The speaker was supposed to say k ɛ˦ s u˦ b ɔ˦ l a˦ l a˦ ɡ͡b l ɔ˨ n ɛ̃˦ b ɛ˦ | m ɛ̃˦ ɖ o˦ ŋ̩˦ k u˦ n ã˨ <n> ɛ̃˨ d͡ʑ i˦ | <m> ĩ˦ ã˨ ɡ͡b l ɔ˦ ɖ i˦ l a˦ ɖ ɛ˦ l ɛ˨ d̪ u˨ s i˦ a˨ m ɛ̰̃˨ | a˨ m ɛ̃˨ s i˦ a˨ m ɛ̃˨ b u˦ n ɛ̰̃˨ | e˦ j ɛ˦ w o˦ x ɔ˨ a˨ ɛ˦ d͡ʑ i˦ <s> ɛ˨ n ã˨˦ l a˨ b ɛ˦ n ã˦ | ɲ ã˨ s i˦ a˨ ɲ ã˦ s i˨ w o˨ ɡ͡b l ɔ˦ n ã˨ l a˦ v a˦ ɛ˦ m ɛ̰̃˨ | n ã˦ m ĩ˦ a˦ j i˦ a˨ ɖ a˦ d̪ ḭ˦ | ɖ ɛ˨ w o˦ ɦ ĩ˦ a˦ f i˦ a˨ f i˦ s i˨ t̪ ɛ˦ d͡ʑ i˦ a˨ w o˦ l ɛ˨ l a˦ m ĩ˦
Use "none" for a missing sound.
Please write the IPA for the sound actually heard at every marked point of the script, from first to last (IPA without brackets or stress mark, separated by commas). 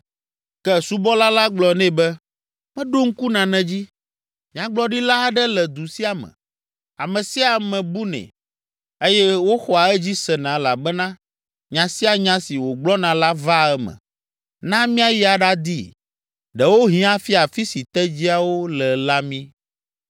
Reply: n, m, s